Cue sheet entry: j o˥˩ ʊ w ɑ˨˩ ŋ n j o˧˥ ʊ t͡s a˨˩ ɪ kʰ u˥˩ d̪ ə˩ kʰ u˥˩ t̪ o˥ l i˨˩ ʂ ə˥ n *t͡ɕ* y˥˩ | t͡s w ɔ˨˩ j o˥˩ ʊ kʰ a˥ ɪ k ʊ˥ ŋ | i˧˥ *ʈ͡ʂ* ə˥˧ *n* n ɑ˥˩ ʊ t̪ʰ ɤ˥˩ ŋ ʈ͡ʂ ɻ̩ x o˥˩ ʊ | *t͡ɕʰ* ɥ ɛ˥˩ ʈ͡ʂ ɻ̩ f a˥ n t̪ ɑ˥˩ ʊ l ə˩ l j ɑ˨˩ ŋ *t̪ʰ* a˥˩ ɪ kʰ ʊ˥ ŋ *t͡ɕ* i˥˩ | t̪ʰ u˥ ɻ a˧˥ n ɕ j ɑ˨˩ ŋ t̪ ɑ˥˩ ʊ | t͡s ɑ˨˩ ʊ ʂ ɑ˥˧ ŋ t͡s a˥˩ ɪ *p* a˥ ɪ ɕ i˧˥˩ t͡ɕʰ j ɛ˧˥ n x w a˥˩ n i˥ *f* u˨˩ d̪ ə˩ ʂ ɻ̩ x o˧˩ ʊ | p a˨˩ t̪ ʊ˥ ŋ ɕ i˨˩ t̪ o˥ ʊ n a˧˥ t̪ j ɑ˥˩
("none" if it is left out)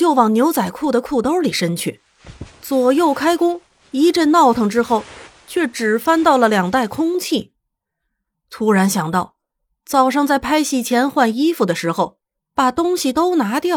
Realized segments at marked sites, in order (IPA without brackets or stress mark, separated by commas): t͡ɕʰ, ʈ͡ʂ, n, t͡ɕʰ, t̪, t͡ɕʰ, pʰ, f